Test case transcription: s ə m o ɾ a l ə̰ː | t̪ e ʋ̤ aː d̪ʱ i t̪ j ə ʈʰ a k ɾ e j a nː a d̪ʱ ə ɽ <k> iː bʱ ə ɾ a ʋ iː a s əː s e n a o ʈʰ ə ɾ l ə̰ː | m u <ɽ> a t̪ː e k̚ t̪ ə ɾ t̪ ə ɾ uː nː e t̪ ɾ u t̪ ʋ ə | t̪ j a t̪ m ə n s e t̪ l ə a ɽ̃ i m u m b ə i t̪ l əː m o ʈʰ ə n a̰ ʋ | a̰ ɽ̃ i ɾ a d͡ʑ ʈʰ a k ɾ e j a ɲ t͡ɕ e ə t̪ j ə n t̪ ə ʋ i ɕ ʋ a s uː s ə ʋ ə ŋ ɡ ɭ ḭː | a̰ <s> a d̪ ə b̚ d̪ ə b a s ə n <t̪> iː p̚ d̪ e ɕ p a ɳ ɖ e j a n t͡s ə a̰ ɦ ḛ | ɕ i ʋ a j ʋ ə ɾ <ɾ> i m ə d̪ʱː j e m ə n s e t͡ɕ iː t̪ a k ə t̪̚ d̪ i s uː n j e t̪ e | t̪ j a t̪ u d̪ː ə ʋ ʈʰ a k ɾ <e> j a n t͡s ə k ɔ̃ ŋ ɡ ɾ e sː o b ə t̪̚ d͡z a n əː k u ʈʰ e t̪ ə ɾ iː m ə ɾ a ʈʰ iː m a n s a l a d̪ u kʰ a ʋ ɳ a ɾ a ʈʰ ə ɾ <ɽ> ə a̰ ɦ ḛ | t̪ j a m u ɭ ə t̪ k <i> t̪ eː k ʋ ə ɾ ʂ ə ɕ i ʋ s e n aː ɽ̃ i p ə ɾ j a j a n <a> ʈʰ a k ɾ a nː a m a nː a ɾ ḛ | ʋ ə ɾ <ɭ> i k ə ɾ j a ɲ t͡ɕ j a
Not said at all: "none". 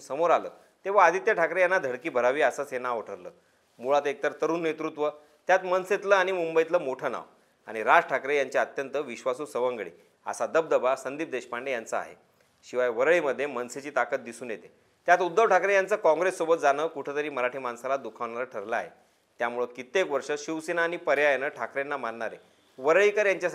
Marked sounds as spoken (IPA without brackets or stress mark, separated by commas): k, ɭ, s, d̪, ɭ, e, l, i, ə, ɭ